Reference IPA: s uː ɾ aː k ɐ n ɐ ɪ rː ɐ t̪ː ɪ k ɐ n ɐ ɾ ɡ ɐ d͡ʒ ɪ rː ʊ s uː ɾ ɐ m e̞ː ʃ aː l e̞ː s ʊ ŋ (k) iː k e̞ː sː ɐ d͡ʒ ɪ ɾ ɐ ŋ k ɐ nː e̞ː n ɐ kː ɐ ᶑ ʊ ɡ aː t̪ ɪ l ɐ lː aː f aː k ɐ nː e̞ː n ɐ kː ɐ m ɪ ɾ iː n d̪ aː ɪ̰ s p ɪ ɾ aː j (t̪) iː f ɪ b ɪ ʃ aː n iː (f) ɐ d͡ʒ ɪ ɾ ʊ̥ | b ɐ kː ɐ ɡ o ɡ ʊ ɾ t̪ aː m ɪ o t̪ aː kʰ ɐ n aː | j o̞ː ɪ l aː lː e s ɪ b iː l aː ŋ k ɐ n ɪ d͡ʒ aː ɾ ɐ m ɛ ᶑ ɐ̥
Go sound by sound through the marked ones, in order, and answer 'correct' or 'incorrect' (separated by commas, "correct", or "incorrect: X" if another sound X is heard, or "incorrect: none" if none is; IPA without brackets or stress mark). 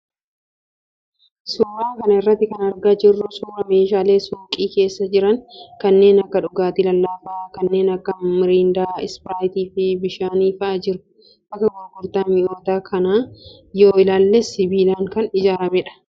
incorrect: kʼ, correct, correct